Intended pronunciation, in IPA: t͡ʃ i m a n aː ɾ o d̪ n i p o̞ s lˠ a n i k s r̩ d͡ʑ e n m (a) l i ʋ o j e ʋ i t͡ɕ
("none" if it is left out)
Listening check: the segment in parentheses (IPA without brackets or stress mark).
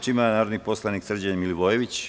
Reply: i